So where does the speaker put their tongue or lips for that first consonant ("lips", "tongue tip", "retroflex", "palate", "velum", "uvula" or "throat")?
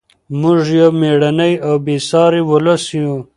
lips